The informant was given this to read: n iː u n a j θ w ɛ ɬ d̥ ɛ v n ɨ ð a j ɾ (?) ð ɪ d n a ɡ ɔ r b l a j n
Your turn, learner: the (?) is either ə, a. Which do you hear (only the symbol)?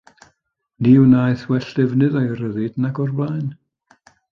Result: ə